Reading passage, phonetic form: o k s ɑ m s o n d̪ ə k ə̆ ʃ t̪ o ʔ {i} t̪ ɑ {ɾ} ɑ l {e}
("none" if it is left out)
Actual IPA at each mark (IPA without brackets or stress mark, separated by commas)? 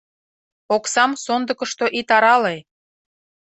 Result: i, ɾ, e